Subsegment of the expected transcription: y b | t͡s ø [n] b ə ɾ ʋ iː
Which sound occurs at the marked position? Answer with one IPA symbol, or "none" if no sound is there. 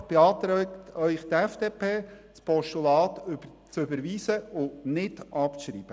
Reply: none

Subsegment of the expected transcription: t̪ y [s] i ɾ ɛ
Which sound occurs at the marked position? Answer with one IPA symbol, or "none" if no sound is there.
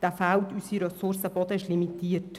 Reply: s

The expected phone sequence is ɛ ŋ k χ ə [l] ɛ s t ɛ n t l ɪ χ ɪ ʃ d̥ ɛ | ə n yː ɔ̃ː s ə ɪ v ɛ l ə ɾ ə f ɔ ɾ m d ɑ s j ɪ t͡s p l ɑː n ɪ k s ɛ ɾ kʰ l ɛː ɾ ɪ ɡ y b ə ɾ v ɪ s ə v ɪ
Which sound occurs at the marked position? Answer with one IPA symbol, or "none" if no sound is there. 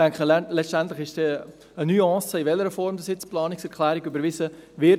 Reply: l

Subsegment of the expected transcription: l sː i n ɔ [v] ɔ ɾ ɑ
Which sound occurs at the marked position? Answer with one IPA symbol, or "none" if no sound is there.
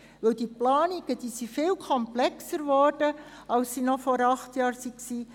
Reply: f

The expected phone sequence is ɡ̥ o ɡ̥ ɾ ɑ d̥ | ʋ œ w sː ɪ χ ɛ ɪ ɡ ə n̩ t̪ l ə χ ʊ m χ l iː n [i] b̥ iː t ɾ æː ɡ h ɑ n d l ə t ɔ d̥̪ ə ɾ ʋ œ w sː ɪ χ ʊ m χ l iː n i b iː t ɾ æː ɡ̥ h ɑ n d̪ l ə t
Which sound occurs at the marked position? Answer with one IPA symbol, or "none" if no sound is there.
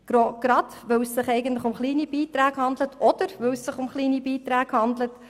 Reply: i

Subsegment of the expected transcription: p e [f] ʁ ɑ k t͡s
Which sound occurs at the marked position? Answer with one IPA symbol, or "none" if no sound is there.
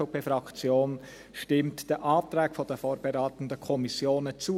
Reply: f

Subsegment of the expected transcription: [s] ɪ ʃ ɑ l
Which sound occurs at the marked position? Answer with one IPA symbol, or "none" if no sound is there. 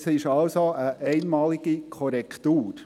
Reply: s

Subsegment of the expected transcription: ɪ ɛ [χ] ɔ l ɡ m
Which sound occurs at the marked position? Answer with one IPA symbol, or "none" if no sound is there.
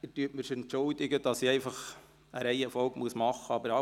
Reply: f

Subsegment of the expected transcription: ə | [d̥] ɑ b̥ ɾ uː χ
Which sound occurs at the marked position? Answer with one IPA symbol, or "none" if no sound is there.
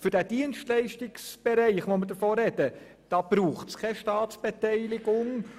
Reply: d̥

